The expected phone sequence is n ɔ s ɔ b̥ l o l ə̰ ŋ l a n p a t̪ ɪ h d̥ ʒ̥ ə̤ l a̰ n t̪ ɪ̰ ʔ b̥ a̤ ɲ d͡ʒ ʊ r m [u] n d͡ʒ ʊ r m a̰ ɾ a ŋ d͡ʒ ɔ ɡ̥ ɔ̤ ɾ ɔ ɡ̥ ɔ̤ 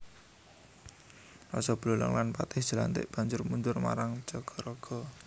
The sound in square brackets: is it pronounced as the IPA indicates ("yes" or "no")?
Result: yes